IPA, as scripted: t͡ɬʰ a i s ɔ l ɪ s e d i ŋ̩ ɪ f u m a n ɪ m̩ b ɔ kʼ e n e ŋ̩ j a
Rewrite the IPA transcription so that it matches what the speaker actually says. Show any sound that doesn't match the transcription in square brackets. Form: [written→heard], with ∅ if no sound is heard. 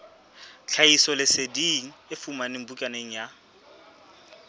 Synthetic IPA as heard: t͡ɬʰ a i s ɔ l ɪ s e d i ŋ̩ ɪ f u m a n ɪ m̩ b [ɔ→u] kʼ [e→a] n e ŋ̩ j a